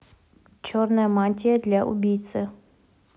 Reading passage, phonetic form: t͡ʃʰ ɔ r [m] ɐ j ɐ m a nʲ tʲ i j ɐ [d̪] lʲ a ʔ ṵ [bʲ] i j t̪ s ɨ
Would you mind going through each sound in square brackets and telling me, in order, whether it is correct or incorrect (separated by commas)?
incorrect, correct, correct